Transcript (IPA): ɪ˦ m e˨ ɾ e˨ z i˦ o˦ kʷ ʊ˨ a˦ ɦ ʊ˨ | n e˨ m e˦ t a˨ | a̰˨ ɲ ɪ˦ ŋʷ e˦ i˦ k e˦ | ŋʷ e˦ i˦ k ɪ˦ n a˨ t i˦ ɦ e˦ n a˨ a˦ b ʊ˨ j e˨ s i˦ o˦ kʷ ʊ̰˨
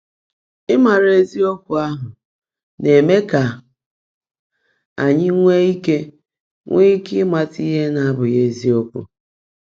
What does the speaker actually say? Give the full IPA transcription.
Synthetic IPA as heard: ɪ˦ m a˨ ɾ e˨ z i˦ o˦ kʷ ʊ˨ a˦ ɦ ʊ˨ | n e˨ m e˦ k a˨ | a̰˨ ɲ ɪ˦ ŋʷ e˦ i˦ k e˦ | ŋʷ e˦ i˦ k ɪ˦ m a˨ t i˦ ɦ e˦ n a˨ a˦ b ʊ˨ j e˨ z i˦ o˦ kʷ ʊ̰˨

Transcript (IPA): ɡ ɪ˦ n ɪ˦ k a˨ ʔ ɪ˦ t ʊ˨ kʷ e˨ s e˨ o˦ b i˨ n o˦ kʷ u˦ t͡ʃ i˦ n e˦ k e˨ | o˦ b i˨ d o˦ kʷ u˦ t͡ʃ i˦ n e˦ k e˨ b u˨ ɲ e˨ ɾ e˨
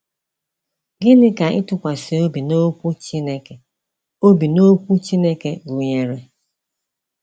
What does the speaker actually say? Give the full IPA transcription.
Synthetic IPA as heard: ɡ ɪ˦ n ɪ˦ k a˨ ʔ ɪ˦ t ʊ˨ kʷ a˨ s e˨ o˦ b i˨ n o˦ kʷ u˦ t͡ʃ i˦ n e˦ k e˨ | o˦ b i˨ n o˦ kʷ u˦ t͡ʃ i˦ n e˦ k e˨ ɡ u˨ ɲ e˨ ɾ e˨

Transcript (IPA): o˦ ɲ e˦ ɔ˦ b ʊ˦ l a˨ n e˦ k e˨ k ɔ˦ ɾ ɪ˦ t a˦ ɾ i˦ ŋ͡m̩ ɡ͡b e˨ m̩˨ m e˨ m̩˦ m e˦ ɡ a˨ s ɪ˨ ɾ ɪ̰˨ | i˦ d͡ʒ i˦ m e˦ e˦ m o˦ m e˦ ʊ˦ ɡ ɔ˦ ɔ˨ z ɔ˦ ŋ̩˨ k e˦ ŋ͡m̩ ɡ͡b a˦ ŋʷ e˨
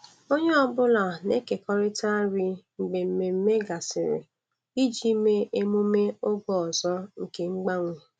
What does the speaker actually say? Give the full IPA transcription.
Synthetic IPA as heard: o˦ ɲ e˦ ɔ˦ b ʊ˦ l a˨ n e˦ k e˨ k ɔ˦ ɾ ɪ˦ t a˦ ɾ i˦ ŋ͡m̩ ɡ͡b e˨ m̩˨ m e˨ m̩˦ m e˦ ɡ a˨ s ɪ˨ ɾ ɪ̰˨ | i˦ d͡ʒ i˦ m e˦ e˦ m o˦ m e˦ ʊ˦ ɡ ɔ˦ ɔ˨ z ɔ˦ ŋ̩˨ k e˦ ŋ͡m̩ ɡ͡b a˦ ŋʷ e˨

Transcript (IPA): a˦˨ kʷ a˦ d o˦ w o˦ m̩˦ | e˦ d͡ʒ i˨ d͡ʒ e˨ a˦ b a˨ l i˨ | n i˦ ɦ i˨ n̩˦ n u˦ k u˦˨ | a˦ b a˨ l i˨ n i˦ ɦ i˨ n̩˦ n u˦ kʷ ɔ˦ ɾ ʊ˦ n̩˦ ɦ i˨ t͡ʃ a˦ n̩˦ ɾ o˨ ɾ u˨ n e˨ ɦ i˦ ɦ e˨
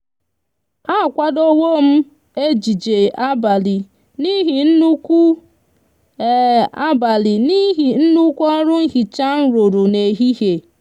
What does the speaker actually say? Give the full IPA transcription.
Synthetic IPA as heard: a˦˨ kʷ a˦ d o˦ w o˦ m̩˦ | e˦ d͡ʒ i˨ d͡ʒ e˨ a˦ b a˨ l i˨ | n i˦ ɦ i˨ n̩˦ n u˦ k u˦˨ | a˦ b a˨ l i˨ n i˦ ɦ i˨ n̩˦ n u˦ kʷ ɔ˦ ɾ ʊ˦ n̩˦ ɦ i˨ t͡ʃ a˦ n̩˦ ɾ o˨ ɾ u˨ n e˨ ɦ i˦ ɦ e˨

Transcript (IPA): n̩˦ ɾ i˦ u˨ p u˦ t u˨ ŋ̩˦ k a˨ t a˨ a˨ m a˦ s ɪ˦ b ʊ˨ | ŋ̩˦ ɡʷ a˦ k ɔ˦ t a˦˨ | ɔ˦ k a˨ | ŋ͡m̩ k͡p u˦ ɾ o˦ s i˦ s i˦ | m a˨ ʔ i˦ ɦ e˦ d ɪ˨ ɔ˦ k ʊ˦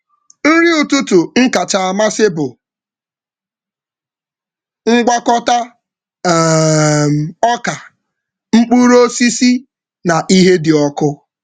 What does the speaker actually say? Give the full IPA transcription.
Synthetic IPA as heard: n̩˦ ɾ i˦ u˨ t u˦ t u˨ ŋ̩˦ k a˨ t͡ʃ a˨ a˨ m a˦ s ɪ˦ b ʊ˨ | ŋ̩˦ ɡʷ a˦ k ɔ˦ t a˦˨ | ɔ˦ k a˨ | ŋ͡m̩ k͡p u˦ ɾ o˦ s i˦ s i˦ | n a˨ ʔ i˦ ɦ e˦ d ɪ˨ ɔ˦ k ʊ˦

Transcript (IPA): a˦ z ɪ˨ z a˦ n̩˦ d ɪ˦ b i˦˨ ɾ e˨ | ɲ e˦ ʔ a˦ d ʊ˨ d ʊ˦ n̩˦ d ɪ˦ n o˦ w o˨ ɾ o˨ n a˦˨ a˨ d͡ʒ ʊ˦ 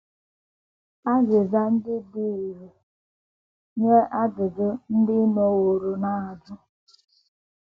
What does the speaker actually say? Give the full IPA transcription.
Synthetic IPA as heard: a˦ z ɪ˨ z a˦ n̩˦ d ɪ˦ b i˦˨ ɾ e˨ | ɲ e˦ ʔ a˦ d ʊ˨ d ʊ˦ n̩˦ d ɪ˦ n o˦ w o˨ ɾ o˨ n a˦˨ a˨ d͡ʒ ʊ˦

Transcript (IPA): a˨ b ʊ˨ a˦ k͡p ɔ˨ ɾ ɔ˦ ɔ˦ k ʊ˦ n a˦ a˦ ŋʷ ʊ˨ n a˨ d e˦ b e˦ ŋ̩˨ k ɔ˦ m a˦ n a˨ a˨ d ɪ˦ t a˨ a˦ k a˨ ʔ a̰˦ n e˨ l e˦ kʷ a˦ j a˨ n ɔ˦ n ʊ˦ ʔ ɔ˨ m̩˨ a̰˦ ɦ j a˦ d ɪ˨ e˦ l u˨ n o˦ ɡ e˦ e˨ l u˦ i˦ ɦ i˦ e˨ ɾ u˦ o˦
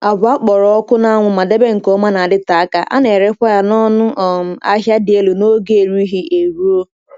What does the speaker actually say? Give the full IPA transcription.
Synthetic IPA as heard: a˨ b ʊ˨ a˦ k͡p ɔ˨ ɾ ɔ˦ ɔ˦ k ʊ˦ n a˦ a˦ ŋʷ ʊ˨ m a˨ d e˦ b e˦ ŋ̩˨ k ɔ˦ m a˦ n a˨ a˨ d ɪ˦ t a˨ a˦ k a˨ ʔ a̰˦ n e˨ ɾ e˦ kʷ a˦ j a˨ n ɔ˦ n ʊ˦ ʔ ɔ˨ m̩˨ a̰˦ ɦ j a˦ d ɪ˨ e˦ l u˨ n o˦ ɡ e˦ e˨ ɾ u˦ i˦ ɦ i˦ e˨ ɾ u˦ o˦

